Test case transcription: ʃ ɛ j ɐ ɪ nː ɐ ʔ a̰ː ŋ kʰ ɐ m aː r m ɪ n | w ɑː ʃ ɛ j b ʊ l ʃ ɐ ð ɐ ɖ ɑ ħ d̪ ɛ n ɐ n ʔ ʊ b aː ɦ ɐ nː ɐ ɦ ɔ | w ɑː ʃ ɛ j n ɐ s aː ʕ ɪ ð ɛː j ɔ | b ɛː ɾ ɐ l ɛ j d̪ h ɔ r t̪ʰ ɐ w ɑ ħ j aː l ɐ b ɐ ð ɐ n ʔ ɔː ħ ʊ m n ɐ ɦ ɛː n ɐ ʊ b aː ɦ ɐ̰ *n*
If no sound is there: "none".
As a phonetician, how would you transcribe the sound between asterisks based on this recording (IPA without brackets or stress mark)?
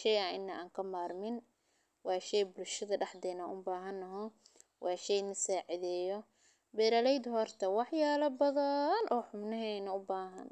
n